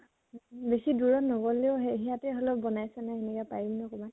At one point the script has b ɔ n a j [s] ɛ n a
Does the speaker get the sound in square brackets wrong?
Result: no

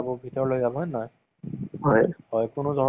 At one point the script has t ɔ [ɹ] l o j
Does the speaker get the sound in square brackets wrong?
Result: no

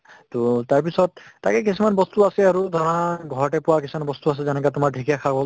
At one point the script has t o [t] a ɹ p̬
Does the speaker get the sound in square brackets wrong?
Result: no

